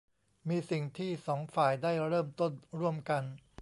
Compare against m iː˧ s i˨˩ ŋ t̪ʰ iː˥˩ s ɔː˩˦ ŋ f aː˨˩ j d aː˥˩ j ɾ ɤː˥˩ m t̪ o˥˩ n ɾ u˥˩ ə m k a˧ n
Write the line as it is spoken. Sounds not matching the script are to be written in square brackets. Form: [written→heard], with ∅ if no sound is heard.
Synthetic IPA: m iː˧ s i˨˩ ŋ t̪ʰ iː˥˩ s ɔː˩˦ ŋ f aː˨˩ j d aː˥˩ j ɾ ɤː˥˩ m t̪ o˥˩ n ɾ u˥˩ ə m k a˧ n